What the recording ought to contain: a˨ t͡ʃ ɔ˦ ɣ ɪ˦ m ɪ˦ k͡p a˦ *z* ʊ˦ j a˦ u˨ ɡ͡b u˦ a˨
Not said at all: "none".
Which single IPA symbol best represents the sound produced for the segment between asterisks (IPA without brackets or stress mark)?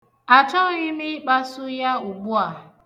s